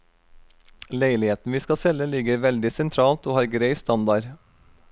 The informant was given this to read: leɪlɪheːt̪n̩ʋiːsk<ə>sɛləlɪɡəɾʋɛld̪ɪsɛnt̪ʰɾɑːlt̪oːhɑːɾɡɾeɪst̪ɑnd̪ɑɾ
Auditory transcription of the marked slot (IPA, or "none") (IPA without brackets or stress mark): ɑ